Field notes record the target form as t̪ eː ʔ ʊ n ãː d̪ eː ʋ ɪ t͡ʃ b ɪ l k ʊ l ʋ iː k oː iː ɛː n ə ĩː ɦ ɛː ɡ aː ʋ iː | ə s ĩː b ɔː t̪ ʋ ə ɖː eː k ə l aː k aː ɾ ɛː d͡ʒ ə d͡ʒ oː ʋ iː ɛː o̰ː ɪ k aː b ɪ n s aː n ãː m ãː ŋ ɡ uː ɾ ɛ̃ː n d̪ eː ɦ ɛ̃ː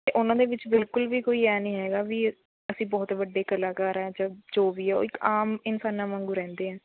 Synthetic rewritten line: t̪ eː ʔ ʊ n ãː d̪ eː ʋ ɪ t͡ʃ b ɪ l k ʊ l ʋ iː k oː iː ɛː n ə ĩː ɦ ɛː ɡ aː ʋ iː | ə s ĩː b ɔː t̪ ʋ ə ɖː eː k ə l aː k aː ɾ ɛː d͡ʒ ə d͡ʒ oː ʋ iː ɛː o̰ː ɪ k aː m ɪ n s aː n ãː m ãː ŋ ɡ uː ɾ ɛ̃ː n d̪ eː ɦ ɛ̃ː